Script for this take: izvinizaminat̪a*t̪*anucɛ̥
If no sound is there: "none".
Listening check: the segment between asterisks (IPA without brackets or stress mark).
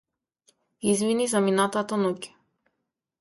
t̪